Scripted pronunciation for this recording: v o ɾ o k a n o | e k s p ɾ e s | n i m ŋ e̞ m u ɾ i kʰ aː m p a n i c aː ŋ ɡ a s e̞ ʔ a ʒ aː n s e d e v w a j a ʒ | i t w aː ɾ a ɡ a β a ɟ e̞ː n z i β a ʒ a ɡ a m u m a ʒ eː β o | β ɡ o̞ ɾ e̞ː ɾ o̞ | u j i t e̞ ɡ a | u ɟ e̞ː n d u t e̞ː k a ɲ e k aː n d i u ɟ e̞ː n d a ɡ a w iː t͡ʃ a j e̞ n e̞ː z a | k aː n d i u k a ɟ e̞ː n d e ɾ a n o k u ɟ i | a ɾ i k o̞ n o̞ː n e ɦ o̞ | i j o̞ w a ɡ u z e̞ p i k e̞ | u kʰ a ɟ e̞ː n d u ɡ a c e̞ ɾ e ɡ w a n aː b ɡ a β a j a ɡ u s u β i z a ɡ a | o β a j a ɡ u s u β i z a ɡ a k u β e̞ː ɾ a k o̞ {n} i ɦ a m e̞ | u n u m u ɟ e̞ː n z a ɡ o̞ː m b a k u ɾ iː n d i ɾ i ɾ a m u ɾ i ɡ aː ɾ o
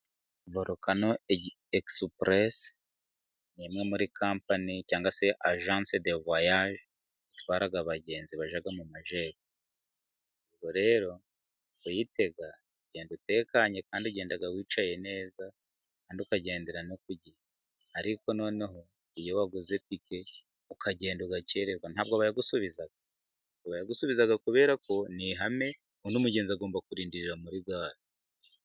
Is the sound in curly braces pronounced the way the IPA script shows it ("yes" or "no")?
yes